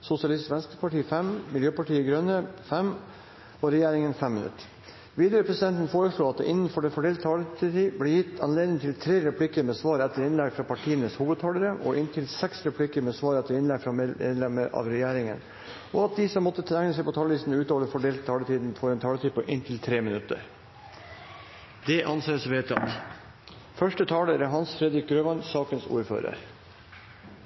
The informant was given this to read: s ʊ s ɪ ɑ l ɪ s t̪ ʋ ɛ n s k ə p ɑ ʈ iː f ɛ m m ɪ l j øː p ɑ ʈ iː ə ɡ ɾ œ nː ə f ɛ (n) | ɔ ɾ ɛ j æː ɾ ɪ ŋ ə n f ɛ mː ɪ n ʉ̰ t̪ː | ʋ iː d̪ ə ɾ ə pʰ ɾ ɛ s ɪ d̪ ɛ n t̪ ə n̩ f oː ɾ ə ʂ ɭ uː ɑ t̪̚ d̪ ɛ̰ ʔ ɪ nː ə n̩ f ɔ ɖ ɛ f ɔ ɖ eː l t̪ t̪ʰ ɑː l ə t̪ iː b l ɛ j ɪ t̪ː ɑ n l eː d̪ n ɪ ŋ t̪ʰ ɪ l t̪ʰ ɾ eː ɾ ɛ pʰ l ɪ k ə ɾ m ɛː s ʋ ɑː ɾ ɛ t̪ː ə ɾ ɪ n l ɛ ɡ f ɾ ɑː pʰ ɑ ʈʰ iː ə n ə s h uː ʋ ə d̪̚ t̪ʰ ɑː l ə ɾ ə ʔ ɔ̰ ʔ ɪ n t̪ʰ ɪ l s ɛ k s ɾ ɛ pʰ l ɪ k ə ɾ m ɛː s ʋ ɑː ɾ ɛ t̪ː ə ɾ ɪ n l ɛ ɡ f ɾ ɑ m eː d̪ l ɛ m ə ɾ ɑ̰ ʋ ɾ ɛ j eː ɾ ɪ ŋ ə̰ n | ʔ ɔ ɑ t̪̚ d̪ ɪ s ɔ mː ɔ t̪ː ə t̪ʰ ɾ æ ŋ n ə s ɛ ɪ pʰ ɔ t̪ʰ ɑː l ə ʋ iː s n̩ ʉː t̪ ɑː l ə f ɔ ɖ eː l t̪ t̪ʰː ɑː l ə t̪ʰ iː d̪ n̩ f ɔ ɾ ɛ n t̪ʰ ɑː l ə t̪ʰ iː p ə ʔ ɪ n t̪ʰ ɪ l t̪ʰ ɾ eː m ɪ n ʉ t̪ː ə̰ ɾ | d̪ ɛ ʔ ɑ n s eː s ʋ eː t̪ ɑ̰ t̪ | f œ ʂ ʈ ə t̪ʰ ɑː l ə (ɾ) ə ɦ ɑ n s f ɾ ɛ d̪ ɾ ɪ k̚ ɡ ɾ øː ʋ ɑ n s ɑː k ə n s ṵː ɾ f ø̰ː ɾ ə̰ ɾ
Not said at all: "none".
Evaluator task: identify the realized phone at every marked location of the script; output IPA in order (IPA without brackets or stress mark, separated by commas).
m, ɾ